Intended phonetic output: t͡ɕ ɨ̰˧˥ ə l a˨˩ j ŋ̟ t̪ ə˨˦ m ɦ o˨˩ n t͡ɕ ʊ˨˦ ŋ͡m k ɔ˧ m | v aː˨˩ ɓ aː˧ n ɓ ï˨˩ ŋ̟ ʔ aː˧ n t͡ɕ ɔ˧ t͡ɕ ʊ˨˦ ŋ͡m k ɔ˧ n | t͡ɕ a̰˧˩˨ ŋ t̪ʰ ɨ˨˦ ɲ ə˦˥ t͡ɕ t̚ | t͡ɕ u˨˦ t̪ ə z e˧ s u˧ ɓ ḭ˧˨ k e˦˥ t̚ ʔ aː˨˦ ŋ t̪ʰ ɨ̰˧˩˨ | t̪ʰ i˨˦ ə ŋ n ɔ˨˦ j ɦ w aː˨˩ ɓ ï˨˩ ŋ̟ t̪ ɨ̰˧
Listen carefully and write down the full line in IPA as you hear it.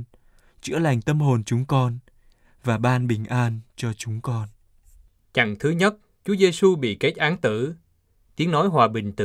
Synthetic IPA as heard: t͡ɕ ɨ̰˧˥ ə l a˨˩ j ŋ̟ t̪ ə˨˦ m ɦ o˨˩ n t͡ɕ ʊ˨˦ ŋ͡m k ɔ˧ n | v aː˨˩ ɓ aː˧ n ɓ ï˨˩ ŋ̟ ʔ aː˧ n t͡ɕ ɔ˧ t͡ɕ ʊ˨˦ ŋ͡m k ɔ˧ n | t͡ɕ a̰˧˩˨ ŋ t̪ʰ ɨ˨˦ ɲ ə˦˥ t̚ | t͡ɕ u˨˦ ə z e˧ s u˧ ɓ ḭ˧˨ k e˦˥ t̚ ʔ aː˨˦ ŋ t̪ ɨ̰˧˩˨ | t̪ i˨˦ ə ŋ n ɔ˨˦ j ɦ w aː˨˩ ɓ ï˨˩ ŋ̟ t̪ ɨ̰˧